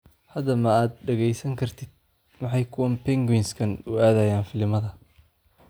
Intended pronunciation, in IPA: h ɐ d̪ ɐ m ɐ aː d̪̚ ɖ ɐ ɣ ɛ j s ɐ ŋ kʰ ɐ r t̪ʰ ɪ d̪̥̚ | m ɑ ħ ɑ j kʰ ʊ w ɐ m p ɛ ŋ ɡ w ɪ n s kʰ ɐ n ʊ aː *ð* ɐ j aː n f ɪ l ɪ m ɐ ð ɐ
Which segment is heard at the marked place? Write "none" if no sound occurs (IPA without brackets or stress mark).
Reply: ð